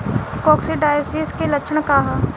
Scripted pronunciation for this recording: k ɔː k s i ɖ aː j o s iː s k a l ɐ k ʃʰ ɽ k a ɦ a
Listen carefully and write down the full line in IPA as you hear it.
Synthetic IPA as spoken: k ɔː k s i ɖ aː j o s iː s k e l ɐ k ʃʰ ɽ k a ɦ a